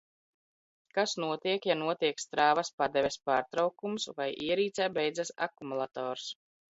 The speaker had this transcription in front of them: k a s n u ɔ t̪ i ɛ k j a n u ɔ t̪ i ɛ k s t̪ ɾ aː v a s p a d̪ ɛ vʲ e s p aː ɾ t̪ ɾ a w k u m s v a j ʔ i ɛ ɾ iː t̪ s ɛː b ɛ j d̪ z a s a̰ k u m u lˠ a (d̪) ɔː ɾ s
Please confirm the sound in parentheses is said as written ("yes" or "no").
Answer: no